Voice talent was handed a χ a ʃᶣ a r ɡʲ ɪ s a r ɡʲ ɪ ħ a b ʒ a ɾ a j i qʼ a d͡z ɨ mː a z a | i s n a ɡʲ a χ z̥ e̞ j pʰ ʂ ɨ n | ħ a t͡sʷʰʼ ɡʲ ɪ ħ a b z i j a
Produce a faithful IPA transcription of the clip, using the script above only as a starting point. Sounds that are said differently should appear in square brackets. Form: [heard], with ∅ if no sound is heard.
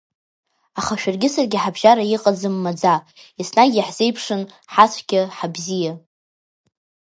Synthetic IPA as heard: a χ a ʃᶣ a r ɡʲ ɪ s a r ɡʲ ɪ ħ a b ʒ a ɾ a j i qʼ a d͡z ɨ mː a [d͡z] a | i s n a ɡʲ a [ħ] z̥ e̞ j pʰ ʂ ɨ n | ħ a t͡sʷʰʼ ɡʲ ɪ ħ a b z i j a